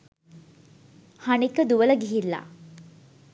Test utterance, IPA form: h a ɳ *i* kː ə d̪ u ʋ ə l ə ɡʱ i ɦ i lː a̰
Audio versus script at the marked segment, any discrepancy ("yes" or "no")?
no